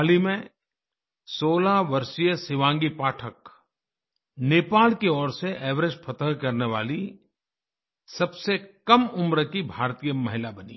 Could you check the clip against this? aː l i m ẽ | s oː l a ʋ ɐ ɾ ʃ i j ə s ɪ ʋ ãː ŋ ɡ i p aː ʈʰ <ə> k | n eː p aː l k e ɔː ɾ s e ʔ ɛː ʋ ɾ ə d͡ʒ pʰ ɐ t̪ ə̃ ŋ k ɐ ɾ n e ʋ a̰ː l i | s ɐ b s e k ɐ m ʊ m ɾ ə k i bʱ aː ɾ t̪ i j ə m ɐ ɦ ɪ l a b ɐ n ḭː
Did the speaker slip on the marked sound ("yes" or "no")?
no